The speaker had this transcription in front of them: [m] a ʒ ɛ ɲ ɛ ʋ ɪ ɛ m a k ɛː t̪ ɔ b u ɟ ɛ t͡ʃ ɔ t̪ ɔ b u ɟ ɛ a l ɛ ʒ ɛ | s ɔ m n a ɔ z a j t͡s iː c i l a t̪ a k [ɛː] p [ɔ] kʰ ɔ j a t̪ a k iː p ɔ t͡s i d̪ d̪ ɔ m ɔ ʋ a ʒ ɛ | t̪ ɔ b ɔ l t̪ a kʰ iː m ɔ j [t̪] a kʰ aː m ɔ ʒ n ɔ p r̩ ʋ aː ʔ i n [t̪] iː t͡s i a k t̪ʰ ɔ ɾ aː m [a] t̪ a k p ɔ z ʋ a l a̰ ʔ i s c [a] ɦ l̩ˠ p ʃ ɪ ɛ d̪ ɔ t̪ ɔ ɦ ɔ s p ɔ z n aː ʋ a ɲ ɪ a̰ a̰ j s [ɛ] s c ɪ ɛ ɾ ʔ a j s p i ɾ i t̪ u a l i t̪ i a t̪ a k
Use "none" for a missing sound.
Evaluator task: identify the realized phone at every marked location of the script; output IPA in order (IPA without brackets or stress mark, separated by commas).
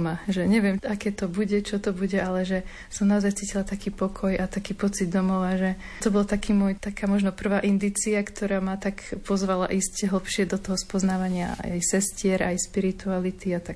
m, iː, ɔ, t̪, d̪, a, ɛ, ɛ